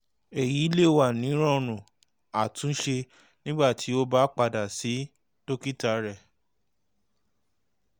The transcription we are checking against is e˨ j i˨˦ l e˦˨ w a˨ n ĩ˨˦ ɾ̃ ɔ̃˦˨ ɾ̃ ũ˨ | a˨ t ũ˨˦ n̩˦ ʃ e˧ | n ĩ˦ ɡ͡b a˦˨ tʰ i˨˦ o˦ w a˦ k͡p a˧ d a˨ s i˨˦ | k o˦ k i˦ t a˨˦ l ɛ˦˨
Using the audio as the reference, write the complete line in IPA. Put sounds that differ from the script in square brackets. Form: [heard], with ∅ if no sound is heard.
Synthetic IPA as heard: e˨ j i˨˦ l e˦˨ w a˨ n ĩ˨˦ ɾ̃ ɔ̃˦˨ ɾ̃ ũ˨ | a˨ t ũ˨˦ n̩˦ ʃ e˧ | n ĩ˦ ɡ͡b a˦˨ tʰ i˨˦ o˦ [b] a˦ k͡p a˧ d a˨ s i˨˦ | [t] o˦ k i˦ t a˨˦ [ɾ] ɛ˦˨